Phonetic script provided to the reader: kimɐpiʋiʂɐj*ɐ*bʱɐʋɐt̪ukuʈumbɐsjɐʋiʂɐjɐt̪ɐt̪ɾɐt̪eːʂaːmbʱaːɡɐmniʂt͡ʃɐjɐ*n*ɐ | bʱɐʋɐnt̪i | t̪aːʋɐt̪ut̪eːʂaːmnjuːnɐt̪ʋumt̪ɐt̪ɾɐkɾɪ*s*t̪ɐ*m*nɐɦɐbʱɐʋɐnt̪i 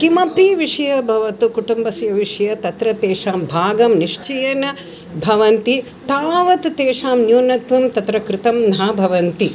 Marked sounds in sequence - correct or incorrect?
correct, correct, incorrect: none, correct

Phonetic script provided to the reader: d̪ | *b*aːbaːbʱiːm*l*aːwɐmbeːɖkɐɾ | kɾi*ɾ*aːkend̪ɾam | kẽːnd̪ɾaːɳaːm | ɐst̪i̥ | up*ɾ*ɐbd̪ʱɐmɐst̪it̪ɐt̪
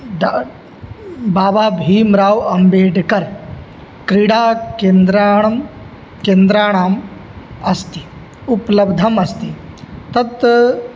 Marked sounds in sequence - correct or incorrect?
correct, incorrect: ɾ, incorrect: ɽ, incorrect: l

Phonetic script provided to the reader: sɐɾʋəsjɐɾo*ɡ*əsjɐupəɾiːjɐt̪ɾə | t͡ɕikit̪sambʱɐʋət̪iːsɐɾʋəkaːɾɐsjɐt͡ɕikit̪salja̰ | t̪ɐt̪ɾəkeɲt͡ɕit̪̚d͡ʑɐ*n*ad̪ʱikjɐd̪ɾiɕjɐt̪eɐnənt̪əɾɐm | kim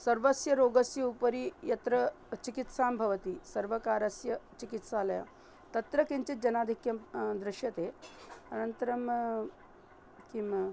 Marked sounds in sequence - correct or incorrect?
correct, correct

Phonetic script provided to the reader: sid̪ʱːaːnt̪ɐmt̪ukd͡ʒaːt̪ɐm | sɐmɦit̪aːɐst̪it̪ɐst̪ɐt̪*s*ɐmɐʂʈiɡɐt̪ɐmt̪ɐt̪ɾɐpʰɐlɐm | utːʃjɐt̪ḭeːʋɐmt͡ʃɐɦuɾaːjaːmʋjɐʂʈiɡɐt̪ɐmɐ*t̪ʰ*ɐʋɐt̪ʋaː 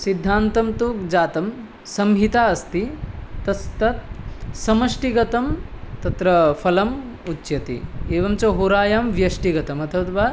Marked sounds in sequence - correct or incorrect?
correct, correct

